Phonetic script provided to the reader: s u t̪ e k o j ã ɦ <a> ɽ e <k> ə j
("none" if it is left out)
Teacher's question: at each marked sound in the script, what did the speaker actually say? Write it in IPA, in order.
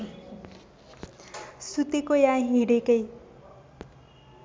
i, k

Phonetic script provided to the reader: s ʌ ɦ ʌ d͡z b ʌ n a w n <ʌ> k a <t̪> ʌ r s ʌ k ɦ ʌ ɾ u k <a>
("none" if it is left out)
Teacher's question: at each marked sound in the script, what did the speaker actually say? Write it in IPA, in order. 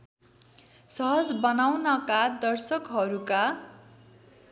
ʌ, d̪, a

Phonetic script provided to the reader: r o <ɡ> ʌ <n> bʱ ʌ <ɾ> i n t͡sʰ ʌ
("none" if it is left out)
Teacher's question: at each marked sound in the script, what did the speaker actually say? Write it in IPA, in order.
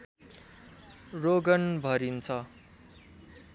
ɡ, n, ɾ

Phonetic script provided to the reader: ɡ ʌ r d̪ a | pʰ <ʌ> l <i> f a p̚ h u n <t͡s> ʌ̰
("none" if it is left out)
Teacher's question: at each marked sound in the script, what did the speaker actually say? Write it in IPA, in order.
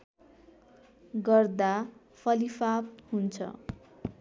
ʌ, i, t͡sʰ

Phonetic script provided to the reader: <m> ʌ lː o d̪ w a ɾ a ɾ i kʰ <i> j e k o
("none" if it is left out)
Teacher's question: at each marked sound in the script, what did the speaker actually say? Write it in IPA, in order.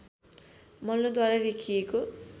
m, i

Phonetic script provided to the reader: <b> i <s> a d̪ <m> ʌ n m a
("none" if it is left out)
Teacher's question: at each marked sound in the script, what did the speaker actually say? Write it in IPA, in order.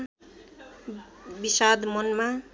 b, s, m

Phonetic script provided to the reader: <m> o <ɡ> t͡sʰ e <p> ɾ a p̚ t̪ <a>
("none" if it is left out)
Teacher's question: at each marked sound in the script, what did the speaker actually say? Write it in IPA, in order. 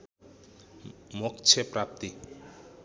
m, k, p, i

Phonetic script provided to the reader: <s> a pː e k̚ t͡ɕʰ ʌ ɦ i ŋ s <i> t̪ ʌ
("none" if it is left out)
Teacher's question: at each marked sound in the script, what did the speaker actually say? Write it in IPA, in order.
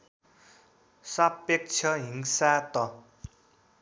s, a

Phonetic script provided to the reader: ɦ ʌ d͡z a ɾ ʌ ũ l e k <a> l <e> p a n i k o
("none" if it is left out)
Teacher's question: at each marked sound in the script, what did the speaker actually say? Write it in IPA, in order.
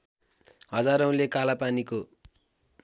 a, a

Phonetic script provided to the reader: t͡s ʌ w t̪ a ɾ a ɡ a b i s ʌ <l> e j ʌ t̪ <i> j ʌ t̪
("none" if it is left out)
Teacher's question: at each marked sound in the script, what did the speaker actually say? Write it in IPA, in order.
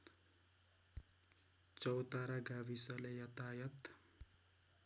l, a

